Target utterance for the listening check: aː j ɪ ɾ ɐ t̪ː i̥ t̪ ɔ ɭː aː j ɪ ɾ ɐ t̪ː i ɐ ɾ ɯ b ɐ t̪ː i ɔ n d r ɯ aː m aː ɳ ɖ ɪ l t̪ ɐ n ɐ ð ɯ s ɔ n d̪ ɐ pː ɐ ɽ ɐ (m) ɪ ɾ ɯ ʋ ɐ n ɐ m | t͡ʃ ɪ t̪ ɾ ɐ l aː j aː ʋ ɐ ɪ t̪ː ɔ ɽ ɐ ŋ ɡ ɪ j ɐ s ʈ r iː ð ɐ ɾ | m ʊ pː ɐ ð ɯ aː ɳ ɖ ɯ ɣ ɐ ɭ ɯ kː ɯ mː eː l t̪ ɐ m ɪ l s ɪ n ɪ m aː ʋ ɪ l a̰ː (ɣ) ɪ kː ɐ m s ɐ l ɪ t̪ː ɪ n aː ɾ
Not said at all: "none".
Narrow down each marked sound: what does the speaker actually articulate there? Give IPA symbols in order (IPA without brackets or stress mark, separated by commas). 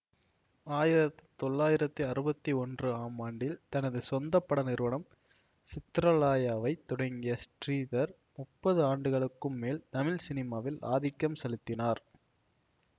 n, ð